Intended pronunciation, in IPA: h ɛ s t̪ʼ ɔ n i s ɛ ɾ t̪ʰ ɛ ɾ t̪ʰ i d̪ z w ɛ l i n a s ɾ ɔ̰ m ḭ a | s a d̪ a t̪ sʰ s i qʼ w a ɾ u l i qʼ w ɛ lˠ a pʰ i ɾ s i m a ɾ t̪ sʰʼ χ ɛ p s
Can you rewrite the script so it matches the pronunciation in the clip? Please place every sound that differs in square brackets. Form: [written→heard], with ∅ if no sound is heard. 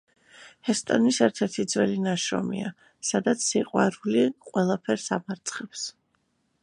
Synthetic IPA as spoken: h ɛ s t̪ʼ ɔ n i s ɛ ɾ t̪ʰ ɛ ɾ t̪ʰ i d̪ z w ɛ l i n a [s→ʃ] ɾ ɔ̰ m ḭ a | s a d̪ a t̪ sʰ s i qʼ w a ɾ u l i qʼ w ɛ lˠ a pʰ [i→ɛ] ɾ s [i→a] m a ɾ t̪ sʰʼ χ ɛ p s

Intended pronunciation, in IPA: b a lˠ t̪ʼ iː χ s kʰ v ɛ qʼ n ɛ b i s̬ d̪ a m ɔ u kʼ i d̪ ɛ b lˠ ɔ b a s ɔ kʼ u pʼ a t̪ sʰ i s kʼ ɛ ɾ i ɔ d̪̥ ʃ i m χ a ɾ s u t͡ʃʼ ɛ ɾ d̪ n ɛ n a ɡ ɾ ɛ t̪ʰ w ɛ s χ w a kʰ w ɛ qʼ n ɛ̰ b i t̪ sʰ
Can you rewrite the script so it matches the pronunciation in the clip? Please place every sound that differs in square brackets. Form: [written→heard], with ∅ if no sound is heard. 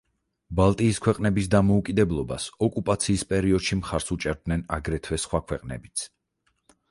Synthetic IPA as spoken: b a lˠ t̪ʼ iː [χ→∅] s kʰ [v→w] ɛ qʼ n ɛ b i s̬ d̪ a m ɔ u kʼ i d̪ ɛ b lˠ ɔ b a s ɔ kʼ u pʼ a t̪ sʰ [i→iː] s [kʼ→pʼ] ɛ ɾ i ɔ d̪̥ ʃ i m χ a ɾ s u t͡ʃʼ ɛ ɾ d̪ n ɛ n a ɡ ɾ ɛ t̪ʰ w ɛ s χ w a kʰ w ɛ qʼ n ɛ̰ b i t̪ sʰ

